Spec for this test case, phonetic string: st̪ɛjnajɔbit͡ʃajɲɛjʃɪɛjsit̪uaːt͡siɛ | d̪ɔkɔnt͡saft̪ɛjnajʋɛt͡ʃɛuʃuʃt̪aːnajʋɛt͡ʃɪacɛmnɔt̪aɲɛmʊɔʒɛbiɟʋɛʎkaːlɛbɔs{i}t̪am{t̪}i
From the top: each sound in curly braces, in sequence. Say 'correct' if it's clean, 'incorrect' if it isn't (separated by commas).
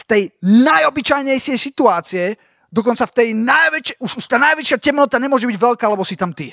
correct, correct